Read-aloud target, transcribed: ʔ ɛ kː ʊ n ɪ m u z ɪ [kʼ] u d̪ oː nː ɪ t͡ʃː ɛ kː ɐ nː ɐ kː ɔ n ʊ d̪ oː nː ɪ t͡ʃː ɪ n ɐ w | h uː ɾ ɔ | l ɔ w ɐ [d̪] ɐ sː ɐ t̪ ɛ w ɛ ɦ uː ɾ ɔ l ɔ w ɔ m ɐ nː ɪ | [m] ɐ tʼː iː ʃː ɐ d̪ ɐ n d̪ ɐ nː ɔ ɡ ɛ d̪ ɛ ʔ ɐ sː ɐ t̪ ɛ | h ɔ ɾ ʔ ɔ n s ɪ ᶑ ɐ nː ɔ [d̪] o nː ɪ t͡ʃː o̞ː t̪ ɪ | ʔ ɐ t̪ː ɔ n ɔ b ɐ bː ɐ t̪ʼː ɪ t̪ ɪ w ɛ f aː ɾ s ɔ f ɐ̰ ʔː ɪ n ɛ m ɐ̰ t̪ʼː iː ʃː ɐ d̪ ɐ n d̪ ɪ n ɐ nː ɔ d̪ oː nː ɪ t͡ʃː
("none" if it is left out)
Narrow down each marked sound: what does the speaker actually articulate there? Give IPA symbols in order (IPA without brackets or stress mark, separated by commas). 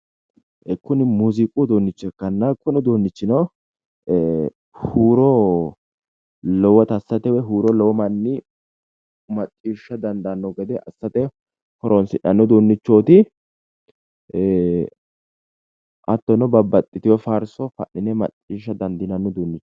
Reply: kʼ, t̪, m, d̪